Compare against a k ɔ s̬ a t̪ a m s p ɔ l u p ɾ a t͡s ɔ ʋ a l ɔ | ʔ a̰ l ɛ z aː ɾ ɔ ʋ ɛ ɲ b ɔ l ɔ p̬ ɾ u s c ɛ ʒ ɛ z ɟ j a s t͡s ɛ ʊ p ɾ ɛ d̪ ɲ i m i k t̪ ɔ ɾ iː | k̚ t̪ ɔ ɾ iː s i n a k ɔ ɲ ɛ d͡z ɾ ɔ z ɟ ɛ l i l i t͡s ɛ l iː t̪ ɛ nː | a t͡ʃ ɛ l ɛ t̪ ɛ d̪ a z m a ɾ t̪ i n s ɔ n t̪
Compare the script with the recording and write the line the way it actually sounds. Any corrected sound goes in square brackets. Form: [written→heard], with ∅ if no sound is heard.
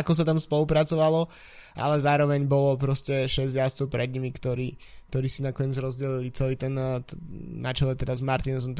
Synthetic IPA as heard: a k ɔ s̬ a t̪ a m s p ɔ l u p ɾ a t͡s ɔ ʋ a l ɔ | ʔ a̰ l ɛ z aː ɾ ɔ ʋ ɛ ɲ b ɔ l ɔ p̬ ɾ [u→ɔ] s c ɛ [ʒ→ʃ] ɛ z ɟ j a s t͡s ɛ ʊ p ɾ ɛ d̪ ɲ i m i k t̪ ɔ ɾ iː | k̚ t̪ ɔ ɾ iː s i n a k ɔ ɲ ɛ d͡z ɾ ɔ z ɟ ɛ l i l i t͡s ɛ l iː t̪ ɛ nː | a t͡ʃ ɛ l ɛ t̪ ɛ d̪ a z m a ɾ t̪ i n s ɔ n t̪